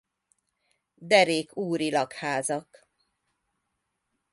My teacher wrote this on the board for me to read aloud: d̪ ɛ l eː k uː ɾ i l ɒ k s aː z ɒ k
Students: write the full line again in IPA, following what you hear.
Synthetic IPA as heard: d̪ ɛ ɾ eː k uː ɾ i l ɒ k h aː z ɒ k